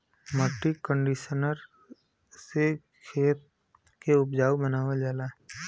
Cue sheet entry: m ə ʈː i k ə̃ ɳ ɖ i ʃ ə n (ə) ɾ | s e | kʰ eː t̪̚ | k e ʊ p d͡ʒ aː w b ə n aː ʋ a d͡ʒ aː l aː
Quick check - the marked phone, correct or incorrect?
correct